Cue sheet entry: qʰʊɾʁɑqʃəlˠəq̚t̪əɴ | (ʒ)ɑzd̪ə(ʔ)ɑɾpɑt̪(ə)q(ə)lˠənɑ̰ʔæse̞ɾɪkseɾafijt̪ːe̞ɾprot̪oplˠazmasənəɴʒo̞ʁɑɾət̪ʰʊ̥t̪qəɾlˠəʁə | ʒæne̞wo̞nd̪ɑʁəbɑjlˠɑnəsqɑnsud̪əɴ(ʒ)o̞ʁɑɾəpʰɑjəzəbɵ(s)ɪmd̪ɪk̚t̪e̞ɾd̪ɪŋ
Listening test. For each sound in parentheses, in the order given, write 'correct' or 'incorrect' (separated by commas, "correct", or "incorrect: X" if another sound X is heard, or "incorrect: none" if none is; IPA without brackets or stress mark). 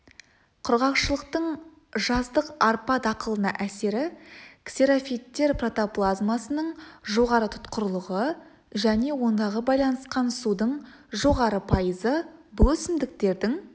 correct, incorrect: q, incorrect: ɑ, correct, correct, correct